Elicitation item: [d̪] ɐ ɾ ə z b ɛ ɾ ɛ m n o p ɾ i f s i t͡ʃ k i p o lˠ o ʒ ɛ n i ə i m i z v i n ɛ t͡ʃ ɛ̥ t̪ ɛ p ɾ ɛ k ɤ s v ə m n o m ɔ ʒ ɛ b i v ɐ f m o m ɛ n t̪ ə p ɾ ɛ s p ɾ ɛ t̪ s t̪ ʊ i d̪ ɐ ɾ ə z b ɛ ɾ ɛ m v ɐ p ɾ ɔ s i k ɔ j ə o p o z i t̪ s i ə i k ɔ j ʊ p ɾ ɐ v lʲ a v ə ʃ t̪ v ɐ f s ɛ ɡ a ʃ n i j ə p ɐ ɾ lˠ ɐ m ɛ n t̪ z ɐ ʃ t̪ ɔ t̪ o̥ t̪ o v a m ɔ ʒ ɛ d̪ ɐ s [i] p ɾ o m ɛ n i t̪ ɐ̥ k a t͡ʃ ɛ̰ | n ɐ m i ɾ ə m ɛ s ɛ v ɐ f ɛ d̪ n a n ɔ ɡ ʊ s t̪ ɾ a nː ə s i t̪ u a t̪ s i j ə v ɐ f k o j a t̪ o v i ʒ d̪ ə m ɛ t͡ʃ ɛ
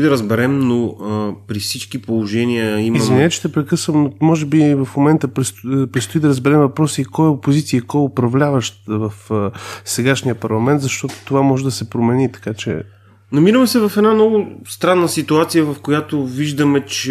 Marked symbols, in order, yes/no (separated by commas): yes, no